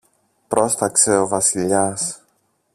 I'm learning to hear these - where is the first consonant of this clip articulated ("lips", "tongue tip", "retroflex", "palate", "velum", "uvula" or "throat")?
lips